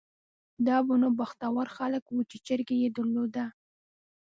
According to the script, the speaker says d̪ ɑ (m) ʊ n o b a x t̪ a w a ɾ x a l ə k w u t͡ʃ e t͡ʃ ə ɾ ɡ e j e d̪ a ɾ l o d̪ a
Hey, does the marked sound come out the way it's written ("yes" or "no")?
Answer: no